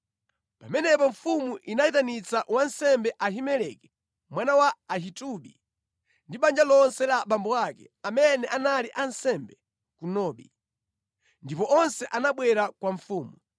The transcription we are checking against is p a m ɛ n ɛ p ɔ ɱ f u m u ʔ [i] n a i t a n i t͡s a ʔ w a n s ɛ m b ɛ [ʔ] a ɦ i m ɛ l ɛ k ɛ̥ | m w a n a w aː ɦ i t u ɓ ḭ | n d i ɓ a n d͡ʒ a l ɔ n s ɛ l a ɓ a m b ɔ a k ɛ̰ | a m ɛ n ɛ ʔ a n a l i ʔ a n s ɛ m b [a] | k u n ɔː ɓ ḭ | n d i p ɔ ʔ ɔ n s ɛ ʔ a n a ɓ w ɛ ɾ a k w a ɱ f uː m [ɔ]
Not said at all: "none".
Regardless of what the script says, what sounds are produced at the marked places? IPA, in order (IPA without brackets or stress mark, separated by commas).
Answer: i, ʔ, ɛ, u